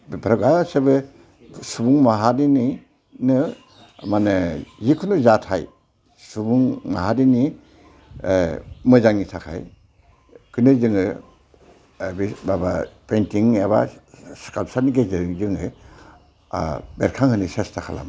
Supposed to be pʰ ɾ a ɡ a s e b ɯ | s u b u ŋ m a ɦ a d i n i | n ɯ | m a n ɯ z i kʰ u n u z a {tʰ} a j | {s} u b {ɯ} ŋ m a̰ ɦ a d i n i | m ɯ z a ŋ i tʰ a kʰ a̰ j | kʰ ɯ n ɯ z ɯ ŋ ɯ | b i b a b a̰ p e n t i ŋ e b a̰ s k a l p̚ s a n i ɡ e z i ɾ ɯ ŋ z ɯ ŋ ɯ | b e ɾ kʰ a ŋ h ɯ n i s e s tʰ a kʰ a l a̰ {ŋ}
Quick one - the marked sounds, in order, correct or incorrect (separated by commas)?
correct, correct, incorrect, incorrect